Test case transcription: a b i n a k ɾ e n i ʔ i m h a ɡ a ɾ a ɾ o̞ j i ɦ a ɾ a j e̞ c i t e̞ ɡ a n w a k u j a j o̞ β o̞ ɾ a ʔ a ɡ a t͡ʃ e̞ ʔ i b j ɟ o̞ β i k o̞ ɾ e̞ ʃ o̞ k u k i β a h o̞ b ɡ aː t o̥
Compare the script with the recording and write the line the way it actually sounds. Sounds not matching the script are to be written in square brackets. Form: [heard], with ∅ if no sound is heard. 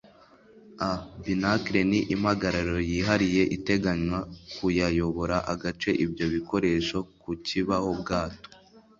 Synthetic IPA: a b i n a k ɾ e n i ʔ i m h a ɡ a ɾ a ɾ o̞ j i ɦ a ɾ [i] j e̞ [ʔ] i t e̞ ɡ a [ɲ] w a k u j a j o̞ β o̞ ɾ a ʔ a ɡ a t͡ʃ e̞ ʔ i b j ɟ o̞ β i k o̞ ɾ e̞ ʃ o̞ k u [c] i β a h o̞ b ɡ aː t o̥